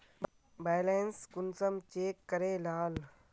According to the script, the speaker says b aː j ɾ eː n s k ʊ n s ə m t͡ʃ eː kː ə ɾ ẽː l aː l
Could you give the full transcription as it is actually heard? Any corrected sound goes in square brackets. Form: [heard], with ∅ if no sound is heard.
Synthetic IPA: b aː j [l] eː n s k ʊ n s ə m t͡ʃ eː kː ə ɾ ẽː l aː l